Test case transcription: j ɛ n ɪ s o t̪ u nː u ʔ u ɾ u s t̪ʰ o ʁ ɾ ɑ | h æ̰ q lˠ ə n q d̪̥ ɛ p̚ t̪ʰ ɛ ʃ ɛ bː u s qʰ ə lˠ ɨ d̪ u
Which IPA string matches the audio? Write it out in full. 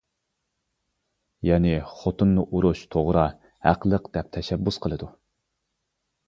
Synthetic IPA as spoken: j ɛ n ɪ χ o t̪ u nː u ʔ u ɾ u ʃ t̪ʰ o ʁ ɾ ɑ | h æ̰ q lˠ ə q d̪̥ ɛ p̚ t̪ʰ ɛ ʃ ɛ bː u s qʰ ə lˠ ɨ d̪ u